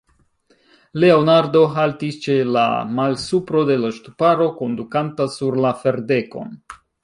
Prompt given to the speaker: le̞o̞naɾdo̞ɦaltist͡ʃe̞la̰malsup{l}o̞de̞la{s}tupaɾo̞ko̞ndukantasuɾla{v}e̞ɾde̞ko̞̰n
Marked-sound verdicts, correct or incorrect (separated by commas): incorrect, incorrect, incorrect